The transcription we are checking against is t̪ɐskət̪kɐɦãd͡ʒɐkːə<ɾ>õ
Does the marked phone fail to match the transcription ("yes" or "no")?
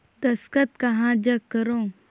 no